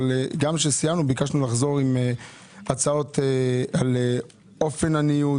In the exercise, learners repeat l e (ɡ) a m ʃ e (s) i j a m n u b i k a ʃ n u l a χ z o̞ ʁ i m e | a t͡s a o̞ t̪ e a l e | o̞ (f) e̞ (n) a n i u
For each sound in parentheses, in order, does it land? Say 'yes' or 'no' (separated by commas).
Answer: yes, yes, yes, yes